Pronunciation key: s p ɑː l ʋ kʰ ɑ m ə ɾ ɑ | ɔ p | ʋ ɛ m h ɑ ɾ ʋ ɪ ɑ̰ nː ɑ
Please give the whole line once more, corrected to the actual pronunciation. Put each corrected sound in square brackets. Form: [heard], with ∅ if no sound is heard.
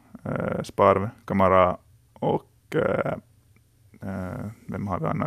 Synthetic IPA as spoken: s p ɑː [ɾ] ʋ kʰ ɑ m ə ɾ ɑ | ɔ [k] | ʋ ɛ m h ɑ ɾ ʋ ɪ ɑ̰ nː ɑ